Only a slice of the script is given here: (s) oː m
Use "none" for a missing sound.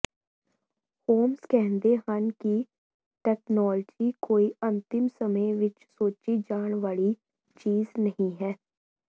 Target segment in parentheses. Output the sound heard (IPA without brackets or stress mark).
h